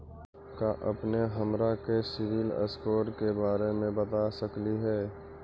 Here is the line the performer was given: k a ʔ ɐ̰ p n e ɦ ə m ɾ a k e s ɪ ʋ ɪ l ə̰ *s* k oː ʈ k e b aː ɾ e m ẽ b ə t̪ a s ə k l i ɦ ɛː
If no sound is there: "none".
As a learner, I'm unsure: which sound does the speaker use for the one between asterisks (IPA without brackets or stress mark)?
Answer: s